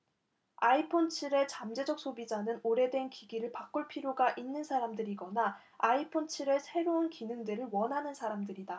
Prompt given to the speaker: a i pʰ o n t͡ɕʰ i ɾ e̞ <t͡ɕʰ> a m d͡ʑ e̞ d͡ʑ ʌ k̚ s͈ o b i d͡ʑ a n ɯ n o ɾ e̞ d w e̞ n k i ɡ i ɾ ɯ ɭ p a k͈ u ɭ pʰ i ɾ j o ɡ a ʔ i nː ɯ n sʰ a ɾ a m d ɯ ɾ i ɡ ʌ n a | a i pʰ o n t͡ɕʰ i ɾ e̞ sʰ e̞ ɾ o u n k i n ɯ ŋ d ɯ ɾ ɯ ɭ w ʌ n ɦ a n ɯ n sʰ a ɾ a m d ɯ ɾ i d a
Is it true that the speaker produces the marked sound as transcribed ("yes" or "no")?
no